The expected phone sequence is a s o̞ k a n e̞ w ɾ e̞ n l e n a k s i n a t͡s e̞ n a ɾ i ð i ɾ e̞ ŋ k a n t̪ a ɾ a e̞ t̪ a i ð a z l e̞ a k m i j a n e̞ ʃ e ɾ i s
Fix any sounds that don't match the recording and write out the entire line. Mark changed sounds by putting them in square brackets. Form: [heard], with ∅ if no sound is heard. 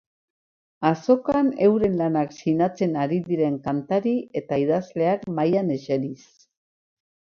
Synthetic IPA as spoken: a s o̞ k a n e̞ w ɾ e̞ n l [a] n a k s i n a t͡s e̞ n a ɾ i ð i ɾ e̞ ŋ k a n t̪ a ɾ [i] e̞ t̪ a i ð a z l e̞ a k m [a] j a n e̞ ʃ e ɾ i s